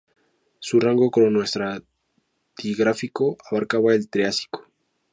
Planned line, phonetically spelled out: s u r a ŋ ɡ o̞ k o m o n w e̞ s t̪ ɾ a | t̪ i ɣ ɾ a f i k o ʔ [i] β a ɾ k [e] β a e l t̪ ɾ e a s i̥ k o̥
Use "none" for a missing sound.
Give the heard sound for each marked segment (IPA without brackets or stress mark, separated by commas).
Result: a, a